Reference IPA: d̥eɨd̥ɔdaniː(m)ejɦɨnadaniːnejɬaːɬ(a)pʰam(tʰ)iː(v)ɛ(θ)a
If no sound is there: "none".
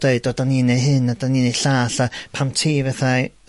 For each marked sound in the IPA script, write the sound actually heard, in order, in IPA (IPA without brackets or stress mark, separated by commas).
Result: n, a, tʰ, v, θ